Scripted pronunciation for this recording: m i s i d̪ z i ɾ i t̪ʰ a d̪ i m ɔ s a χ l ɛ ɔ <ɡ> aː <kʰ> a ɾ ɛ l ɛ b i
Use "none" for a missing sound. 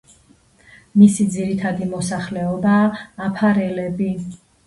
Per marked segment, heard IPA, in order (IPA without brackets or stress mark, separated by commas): b, pʰ